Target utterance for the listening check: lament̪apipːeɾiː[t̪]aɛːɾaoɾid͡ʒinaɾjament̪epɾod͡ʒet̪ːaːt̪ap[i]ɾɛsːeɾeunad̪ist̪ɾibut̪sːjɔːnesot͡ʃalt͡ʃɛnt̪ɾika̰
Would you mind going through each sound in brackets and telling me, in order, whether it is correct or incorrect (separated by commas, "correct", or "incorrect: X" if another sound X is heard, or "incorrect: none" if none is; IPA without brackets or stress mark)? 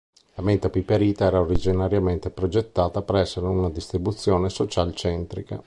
correct, incorrect: e